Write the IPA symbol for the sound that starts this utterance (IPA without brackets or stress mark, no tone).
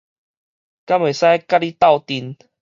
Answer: k